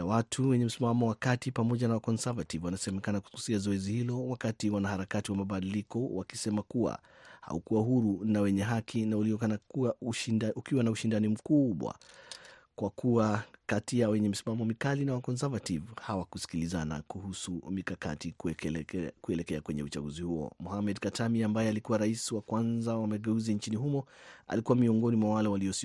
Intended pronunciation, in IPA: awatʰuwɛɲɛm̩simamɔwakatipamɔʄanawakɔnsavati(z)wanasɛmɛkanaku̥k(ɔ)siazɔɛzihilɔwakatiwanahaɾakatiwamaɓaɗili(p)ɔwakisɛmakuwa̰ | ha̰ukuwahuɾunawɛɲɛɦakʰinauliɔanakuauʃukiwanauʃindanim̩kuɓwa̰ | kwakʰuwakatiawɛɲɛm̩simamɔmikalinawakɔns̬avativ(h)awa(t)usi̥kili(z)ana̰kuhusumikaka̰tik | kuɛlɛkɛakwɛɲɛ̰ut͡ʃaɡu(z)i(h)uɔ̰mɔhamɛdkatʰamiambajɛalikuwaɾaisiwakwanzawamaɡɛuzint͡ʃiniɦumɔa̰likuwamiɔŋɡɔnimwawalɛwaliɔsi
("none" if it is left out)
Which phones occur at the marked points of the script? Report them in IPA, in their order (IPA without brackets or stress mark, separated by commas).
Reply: v, u, k, h, k, z, z, h